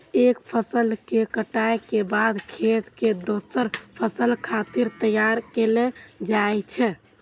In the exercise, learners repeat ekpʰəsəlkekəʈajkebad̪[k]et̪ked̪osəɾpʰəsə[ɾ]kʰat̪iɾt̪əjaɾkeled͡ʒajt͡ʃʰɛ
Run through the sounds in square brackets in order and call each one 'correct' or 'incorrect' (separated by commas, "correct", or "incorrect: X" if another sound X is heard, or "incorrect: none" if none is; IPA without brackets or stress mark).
incorrect: kʰ, incorrect: l